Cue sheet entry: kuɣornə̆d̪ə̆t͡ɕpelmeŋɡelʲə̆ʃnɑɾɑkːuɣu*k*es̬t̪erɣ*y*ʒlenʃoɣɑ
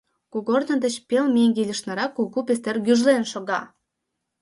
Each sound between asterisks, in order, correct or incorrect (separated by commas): incorrect, correct